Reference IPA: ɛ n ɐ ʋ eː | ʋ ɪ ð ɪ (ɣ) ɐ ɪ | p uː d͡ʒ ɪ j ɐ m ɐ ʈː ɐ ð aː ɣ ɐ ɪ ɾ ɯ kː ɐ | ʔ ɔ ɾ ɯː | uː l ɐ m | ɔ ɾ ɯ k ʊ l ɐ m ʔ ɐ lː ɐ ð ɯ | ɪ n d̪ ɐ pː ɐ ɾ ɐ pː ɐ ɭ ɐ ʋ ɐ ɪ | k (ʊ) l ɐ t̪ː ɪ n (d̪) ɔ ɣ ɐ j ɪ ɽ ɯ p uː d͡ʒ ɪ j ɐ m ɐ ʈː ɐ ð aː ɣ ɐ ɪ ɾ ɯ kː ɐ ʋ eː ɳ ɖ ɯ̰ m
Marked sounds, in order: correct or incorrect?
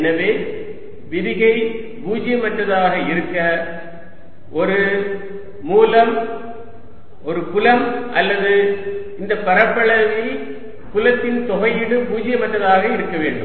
correct, correct, incorrect: t̪

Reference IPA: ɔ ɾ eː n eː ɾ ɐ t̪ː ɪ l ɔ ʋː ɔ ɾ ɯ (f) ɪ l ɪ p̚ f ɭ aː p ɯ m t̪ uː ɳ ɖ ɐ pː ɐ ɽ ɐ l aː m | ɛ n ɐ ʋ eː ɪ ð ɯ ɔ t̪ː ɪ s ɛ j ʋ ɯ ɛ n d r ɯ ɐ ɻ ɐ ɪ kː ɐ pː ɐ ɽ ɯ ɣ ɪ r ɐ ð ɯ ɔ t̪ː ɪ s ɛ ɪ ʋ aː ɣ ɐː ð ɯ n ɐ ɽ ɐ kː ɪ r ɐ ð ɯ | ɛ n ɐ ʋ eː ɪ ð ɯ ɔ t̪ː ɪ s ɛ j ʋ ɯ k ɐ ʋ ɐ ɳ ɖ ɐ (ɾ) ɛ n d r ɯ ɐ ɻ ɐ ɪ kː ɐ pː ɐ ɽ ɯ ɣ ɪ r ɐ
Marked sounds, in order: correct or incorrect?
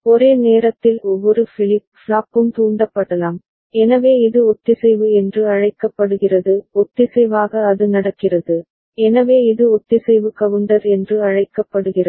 correct, correct

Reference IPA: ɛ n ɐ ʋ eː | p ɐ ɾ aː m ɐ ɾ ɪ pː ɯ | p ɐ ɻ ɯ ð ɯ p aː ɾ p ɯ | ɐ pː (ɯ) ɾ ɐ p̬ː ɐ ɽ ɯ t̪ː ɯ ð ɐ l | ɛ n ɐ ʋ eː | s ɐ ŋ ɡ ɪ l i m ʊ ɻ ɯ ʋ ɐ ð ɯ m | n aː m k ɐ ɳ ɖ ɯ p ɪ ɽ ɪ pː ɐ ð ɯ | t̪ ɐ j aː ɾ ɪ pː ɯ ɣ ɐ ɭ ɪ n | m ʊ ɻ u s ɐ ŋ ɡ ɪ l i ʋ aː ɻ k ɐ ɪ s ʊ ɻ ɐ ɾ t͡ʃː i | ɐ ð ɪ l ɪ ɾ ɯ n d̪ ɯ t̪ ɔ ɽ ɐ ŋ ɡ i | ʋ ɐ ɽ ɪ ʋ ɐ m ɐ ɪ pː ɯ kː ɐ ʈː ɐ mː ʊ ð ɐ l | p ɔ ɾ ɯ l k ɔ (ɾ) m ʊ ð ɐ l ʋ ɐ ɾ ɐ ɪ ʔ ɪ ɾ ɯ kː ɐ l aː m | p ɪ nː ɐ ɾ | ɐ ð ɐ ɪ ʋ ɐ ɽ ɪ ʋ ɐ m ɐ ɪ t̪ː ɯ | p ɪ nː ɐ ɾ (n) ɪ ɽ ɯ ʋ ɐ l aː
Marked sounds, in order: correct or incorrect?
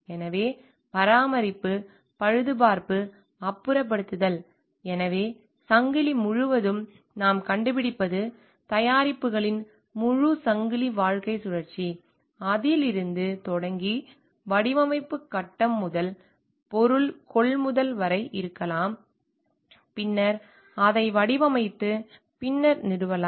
correct, incorrect: ɭ, correct

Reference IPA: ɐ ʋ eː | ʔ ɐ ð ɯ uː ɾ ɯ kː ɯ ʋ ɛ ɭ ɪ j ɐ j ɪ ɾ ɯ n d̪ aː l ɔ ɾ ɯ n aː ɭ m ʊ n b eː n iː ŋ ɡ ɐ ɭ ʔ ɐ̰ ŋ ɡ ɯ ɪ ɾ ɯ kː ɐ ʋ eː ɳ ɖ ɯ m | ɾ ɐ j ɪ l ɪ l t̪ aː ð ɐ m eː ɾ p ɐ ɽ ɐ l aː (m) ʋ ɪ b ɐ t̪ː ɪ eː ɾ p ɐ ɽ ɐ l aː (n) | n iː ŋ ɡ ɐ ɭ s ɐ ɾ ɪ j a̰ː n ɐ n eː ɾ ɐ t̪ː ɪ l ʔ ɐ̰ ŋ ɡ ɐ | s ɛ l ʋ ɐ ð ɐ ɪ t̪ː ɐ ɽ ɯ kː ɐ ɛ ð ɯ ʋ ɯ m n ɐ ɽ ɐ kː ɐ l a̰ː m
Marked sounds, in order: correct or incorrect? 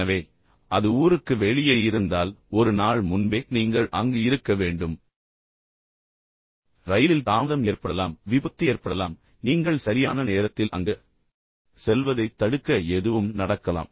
correct, incorrect: m

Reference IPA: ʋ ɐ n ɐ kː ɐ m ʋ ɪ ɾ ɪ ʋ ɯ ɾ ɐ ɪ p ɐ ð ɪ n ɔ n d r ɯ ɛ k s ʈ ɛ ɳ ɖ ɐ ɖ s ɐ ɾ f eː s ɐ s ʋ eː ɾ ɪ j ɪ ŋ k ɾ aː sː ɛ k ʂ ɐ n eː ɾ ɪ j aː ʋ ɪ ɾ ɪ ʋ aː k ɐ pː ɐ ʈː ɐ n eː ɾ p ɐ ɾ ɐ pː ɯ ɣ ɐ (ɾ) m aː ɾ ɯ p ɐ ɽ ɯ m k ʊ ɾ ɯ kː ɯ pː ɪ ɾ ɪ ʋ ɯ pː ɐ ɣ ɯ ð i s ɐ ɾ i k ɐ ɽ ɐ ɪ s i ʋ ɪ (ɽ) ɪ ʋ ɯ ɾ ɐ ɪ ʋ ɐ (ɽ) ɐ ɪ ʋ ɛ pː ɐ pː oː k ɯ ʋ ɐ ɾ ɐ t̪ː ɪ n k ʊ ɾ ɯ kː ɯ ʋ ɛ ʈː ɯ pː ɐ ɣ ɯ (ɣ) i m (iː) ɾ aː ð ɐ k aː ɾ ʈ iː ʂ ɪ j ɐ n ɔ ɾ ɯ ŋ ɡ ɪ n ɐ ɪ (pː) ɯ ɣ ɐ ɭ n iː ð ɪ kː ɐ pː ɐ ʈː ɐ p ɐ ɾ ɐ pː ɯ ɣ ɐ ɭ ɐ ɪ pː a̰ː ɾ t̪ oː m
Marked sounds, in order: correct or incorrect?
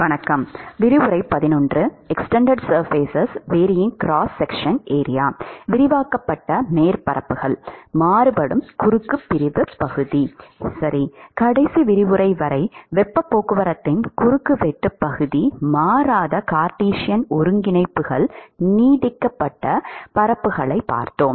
incorrect: ɭ, incorrect: ɾ, incorrect: ɾ, incorrect: ð, incorrect: aː, correct

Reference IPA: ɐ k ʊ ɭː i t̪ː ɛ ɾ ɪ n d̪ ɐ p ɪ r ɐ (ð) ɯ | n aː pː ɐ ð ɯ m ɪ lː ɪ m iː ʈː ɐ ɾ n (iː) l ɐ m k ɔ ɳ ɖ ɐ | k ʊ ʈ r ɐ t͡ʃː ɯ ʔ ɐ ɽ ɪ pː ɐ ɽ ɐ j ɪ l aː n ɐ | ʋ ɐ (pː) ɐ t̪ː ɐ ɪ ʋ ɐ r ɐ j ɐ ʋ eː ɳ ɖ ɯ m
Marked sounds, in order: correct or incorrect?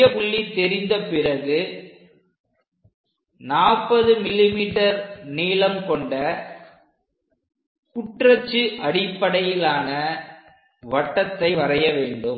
incorrect: ɣ, correct, incorrect: ʈː

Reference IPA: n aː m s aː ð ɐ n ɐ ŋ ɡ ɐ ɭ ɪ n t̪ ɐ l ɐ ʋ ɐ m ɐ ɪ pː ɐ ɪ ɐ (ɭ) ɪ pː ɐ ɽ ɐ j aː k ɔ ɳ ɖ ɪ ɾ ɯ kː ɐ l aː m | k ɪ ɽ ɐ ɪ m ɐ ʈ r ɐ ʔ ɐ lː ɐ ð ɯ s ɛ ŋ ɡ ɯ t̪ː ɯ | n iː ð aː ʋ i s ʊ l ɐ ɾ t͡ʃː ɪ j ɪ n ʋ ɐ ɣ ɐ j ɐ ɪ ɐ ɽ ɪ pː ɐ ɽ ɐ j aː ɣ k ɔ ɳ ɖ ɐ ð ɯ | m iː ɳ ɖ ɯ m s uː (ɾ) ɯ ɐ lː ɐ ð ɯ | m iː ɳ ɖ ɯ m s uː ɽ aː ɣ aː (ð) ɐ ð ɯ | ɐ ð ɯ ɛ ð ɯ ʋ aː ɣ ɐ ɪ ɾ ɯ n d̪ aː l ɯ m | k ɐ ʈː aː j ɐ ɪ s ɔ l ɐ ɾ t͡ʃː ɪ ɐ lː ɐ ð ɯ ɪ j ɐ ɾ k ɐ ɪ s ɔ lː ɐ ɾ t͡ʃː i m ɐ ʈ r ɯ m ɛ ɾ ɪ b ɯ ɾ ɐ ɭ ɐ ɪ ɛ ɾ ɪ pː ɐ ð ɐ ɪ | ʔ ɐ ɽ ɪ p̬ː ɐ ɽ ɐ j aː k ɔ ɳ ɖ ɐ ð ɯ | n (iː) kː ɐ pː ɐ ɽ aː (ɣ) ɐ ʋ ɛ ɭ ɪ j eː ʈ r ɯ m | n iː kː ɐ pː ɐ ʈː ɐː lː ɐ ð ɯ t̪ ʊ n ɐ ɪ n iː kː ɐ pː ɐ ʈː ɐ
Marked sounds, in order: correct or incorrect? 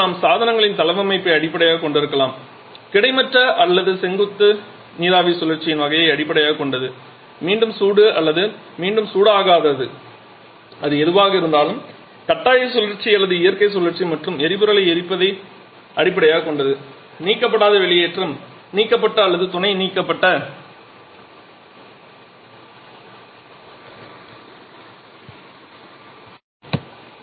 incorrect: ɽ, incorrect: ɽ, correct, correct, incorrect: ð

